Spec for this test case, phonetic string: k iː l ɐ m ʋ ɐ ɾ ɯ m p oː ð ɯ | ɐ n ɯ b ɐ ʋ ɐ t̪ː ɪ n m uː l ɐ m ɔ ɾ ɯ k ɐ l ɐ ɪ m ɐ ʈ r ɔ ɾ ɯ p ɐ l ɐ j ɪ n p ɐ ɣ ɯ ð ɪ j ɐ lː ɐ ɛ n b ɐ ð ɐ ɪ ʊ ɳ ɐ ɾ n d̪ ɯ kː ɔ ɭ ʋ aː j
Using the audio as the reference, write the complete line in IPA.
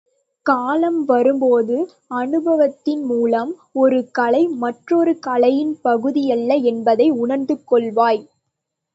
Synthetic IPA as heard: k aː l ɐ m ʋ ɐ ɾ ɯ m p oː ð ɯ | ɐ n ɯ b ɐ ʋ ɐ t̪ː ɪ n m uː l ɐ m ɔ ɾ ɯ k ɐ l ɐ ɪ m ɐ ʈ r ɔ ɾ ɯ k ɐ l ɐ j ɪ n p ɐ ɣ ɯ ð ɪ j ɐ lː ɐ ɛ n b ɐ ð ɐ ɪ ʊ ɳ ɐ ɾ n d̪ ɯ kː ɔ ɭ ʋ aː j